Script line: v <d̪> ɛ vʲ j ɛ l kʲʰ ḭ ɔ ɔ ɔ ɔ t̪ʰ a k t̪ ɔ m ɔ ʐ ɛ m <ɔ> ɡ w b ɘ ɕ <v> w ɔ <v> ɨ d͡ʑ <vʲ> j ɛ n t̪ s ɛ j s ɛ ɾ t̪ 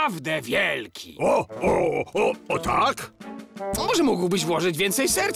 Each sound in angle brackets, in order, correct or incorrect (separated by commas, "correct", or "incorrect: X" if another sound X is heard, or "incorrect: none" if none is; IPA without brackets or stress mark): correct, incorrect: u, correct, incorrect: ʐ, correct